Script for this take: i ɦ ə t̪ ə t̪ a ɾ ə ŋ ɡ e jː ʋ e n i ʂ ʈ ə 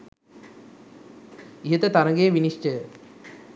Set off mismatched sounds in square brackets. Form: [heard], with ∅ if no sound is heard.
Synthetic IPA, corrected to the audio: i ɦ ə t̪ ə t̪ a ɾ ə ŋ ɡ e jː ʋ [i] n i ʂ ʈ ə